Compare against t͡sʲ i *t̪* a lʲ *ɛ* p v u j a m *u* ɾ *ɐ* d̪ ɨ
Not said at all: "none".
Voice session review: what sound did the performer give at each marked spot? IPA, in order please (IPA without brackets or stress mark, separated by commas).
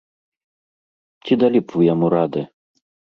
d̪, i, u, a